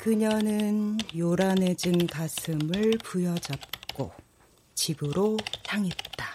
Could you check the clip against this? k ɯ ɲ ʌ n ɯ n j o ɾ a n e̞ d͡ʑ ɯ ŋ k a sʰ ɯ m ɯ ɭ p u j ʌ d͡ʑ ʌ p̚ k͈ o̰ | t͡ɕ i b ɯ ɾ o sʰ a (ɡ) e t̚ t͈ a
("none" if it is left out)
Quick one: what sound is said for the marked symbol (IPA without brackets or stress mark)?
ŋ